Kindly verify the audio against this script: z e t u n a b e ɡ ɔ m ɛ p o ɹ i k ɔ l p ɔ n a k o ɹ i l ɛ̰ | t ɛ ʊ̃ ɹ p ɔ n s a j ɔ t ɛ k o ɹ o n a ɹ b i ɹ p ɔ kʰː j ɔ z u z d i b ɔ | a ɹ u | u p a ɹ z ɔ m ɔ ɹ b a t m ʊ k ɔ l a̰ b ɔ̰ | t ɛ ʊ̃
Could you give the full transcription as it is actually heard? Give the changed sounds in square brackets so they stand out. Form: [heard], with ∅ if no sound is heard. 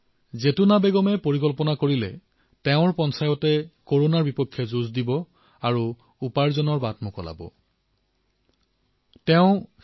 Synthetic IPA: z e t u n a b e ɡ ɔ m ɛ p o ɹ i k ɔ l p ɔ n a k o ɹ i l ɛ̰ | t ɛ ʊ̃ ɹ p ɔ n s a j ɔ t ɛ k o ɹ o n a ɹ b i [∅] p ɔ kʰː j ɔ z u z d i b ɔ | a ɹ u | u p a ɹ z ɔ [n] ɔ ɹ b a t m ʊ k ɔ l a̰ b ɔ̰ | t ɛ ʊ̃